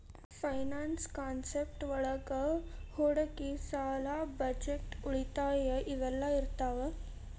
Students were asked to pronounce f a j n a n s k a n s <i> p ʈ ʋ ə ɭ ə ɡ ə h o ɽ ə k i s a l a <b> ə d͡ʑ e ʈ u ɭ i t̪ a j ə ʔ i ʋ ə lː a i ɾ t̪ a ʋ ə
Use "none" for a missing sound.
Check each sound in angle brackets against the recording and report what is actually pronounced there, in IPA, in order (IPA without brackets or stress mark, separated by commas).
e, b